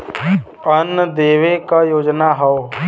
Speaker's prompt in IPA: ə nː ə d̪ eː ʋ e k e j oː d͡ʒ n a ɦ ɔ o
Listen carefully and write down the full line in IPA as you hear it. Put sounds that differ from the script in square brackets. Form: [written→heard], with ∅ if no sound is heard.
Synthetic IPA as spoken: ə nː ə d̪ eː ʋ e k [e→a] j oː d͡ʒ n a ɦ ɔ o